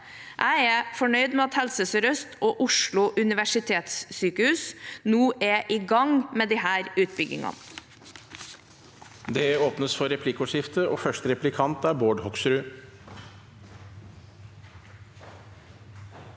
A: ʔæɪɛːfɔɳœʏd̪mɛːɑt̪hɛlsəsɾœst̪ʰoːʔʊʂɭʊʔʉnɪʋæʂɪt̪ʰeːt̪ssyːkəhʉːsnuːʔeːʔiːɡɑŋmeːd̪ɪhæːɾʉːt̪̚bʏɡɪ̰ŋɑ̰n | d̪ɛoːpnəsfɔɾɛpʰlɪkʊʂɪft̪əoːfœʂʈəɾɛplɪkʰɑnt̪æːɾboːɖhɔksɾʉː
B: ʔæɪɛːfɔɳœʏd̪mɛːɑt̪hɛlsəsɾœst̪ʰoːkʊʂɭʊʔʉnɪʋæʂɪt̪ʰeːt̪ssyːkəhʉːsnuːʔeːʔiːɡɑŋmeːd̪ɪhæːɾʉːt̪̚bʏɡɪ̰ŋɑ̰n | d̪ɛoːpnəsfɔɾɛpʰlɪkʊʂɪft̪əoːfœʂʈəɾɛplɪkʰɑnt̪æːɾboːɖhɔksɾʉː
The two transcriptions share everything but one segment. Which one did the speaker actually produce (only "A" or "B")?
A